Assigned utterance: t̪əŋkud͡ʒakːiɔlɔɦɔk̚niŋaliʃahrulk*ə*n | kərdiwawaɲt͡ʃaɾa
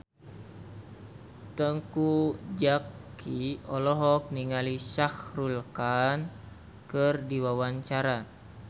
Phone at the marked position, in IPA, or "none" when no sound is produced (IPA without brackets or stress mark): a